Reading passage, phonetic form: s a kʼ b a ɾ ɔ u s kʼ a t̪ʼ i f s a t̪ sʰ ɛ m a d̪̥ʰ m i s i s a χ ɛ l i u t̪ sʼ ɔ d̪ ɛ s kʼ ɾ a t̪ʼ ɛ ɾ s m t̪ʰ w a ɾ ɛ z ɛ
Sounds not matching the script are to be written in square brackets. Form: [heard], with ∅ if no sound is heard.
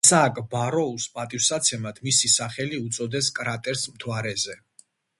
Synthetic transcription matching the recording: s a kʼ b a ɾ ɔ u s [pʼ] a t̪ʼ i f s a t̪ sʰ ɛ m a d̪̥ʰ m i s i s a χ ɛ l i u t̪ sʼ ɔ d̪ ɛ s kʼ ɾ a t̪ʼ ɛ ɾ s m t̪ʰ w a ɾ ɛ z ɛ